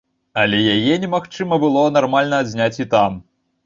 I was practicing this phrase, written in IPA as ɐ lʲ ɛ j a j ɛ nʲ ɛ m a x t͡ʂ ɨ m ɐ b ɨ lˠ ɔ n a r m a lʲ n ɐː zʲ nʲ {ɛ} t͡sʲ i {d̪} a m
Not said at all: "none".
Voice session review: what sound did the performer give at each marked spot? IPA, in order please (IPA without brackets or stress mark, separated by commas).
a, t̪